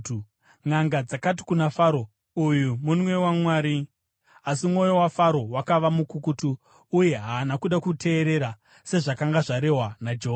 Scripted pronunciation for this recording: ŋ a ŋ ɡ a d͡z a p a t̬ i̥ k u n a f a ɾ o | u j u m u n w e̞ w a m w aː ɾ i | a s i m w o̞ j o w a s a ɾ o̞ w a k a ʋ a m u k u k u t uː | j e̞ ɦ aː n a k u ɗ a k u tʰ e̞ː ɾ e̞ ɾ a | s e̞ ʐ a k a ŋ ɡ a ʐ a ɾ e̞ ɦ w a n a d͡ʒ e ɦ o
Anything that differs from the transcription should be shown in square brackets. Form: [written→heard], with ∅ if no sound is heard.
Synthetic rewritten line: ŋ a ŋ ɡ a d͡z a [p→k] a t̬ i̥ k u n a f a ɾ o | u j u m u n w e̞ w a m w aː ɾ i | a s i m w o̞ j o w a [s→f] a ɾ o̞ w a k a ʋ a m u k u k u t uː | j e̞ ɦ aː n a k u ɗ a k u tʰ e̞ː ɾ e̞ ɾ a | s e̞ ʐ a k a ŋ ɡ a ʐ a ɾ e̞ ɦ w a n a d͡ʒ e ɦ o